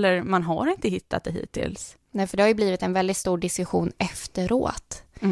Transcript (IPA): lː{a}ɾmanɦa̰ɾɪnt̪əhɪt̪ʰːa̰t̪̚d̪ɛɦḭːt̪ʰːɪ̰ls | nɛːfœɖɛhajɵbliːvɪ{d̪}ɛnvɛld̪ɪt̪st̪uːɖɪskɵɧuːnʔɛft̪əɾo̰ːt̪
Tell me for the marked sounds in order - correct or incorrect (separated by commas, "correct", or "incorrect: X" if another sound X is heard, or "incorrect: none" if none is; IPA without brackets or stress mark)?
incorrect: ə, incorrect: t̪